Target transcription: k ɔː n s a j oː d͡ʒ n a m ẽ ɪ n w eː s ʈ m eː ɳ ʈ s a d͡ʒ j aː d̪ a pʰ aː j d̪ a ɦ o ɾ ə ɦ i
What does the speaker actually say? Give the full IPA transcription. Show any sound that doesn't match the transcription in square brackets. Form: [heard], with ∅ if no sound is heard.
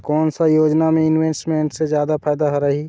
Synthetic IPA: k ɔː n s a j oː d͡ʒ n a m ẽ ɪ n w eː s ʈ m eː ɳ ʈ s [e] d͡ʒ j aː d̪ a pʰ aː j d̪ a ɦ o ɾ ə ɦ i